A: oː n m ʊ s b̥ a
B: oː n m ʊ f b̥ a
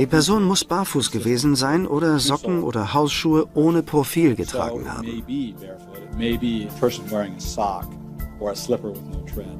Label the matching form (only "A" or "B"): A